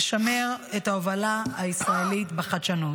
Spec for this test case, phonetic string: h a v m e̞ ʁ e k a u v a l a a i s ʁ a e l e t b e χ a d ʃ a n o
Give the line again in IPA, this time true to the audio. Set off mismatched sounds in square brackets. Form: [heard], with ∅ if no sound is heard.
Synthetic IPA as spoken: [ʃ] a [∅] m e̞ ʁ e [t] a [o] v a l a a i s ʁ a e l [i] t b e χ a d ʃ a n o